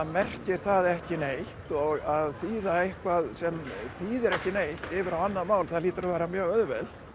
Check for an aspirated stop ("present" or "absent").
absent